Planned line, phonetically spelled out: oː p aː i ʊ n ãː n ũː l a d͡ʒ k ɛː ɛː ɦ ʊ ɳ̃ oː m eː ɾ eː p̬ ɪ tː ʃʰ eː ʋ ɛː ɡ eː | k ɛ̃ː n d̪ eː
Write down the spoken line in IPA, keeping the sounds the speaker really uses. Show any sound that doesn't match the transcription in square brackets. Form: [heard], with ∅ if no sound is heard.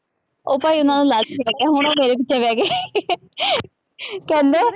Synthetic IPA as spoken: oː p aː i ʊ n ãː n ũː l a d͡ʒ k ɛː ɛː ɦ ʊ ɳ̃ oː m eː ɾ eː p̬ ɪ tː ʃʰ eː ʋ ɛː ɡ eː | k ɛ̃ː n d̪ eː

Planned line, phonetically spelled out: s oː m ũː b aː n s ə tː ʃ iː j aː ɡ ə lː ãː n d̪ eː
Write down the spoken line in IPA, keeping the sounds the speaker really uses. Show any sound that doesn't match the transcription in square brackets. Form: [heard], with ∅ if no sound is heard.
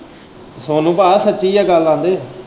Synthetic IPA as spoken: s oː [n] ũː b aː [∅] s ə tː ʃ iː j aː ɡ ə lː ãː n d̪ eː

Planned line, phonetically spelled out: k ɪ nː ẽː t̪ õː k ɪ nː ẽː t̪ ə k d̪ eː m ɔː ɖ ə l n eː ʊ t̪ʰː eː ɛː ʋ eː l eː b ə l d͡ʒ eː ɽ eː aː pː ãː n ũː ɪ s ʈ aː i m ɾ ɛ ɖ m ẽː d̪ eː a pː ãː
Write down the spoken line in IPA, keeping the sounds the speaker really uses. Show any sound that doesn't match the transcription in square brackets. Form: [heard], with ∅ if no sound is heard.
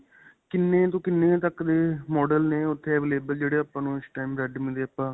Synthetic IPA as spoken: k ɪ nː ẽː t̪ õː k ɪ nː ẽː t̪ ə k d̪ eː m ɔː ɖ ə l n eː ʊ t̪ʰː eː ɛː ʋ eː l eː b ə l d͡ʒ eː ɽ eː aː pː ãː n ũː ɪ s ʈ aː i m ɾ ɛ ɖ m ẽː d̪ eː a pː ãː

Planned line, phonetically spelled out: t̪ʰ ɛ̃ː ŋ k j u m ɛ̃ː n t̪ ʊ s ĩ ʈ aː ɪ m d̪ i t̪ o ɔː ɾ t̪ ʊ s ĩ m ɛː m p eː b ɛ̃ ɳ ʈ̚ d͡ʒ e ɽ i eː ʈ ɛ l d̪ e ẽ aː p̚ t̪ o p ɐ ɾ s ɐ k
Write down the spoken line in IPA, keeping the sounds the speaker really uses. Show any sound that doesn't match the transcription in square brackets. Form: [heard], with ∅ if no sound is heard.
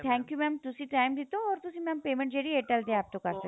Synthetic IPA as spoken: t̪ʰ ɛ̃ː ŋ k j u m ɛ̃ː [m] t̪ ʊ s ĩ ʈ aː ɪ m d̪ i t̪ o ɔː ɾ t̪ ʊ s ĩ m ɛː m p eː [m] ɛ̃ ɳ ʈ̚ d͡ʒ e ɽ i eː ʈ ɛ l d̪ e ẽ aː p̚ t̪ o [k] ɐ ɾ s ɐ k

